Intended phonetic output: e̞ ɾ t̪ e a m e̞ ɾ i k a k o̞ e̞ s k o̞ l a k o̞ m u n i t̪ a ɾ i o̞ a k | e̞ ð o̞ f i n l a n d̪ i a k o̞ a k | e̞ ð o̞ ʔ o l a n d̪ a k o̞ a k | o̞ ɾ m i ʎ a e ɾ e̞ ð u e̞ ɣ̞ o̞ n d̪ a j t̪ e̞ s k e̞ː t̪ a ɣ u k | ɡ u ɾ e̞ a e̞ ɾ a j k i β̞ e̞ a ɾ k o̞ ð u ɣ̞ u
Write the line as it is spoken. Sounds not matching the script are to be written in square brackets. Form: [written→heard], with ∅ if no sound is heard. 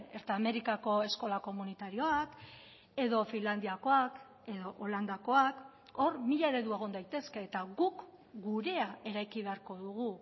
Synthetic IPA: e̞ ɾ t̪ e a m e̞ ɾ i k a k o̞ e̞ s k o̞ l a k o̞ m u n i t̪ a ɾ i o̞ a k | e̞ ð o̞ f i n l a n d̪ i a k o̞ a k | e̞ ð o̞ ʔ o l a n d̪ a k o̞ a k | o̞ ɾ m i ʎ a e ɾ e̞ ð u e̞ ɣ̞ o̞ n d̪ a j t̪ e̞ s k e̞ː t̪ a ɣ u k | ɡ u ɾ e̞ a e̞ ɾ a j k i β̞ e̞ a ɾ k o̞ ð u ɣ̞ u